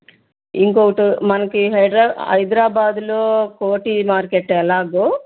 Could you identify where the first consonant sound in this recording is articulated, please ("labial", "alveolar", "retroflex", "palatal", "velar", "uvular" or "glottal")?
velar